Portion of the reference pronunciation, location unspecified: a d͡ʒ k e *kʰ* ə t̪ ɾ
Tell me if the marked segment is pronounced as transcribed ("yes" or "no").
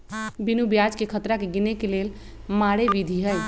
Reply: yes